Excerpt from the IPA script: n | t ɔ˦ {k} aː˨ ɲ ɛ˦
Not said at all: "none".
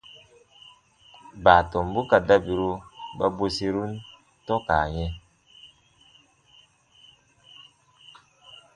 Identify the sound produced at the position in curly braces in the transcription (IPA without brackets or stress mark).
k